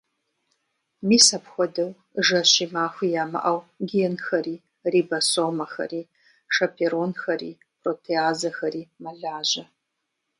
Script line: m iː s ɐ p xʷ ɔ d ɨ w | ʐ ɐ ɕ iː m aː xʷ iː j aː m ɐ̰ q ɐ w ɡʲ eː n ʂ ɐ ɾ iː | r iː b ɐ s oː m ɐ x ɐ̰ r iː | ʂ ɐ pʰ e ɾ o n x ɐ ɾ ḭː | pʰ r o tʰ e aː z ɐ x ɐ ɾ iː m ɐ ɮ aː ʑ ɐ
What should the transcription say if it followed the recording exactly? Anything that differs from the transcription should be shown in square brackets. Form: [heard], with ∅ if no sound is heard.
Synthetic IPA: m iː s ɐ p xʷ ɔ d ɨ w | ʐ ɐ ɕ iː m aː xʷ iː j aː m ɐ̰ [ʔ] ɐ w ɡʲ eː n [x] ɐ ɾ iː | r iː b ɐ s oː m ɐ x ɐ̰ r iː | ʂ ɐ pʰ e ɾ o n x ɐ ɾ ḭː | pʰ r o tʰ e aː z ɐ x ɐ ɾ iː m ɐ ɮ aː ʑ ɐ